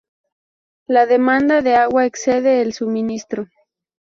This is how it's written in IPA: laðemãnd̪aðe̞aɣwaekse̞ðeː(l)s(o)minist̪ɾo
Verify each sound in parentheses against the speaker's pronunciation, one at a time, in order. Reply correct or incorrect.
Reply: correct, incorrect

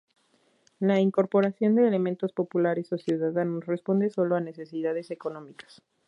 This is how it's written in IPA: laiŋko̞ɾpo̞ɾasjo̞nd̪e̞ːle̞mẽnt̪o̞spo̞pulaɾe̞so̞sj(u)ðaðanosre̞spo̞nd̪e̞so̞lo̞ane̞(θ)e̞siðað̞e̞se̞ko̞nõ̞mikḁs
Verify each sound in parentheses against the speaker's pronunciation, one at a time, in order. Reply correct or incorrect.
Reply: correct, incorrect

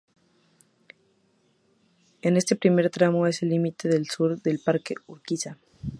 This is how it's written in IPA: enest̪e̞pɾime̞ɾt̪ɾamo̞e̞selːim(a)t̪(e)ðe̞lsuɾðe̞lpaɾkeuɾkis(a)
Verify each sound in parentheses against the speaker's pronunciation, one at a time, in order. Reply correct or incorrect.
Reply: incorrect, correct, correct

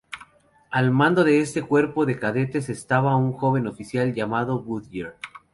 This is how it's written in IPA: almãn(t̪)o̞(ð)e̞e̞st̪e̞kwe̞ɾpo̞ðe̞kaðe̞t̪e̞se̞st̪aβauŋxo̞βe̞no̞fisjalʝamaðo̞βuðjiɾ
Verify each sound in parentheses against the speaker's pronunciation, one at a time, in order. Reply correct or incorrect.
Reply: incorrect, correct

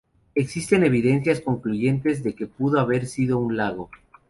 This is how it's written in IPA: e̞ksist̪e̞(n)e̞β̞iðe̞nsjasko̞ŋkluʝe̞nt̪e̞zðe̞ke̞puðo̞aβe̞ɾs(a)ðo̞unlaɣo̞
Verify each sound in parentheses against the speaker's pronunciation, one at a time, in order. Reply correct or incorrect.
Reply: correct, incorrect

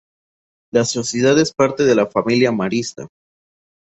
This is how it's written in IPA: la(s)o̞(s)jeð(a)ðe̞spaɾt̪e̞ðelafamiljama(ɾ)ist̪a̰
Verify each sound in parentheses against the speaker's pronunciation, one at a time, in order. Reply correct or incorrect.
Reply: correct, correct, correct, correct

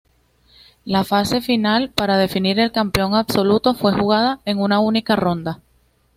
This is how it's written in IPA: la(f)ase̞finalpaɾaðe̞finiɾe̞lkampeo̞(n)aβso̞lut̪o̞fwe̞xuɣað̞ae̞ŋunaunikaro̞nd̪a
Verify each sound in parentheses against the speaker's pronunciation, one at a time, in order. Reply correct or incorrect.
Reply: correct, incorrect

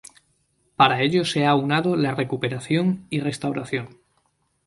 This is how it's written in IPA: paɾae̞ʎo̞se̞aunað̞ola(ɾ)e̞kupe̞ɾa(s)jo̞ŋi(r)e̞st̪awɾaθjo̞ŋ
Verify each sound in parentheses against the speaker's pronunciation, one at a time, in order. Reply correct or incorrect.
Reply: incorrect, incorrect, correct

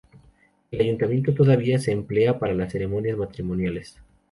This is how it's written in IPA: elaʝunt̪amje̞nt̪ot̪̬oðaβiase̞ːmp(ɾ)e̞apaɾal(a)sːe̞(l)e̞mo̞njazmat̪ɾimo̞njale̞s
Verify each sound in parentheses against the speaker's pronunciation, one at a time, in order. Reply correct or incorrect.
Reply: incorrect, correct, incorrect

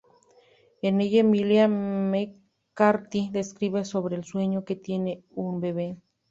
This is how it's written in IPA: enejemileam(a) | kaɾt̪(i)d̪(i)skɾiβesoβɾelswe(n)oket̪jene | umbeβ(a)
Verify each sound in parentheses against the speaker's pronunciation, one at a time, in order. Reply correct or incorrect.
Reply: incorrect, correct, incorrect, incorrect, incorrect

